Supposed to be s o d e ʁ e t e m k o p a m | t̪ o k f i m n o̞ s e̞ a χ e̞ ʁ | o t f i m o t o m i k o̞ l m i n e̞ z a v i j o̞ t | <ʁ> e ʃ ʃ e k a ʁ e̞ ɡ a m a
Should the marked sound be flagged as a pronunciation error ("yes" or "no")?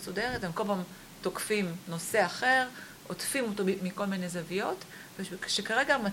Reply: yes